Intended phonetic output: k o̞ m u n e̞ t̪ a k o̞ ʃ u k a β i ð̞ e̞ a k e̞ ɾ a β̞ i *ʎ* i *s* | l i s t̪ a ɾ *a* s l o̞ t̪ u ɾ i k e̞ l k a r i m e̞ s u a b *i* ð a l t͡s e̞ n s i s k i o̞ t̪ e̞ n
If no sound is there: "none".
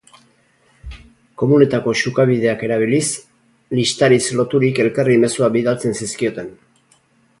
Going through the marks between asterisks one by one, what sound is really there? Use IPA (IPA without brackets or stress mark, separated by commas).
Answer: l, s, i, i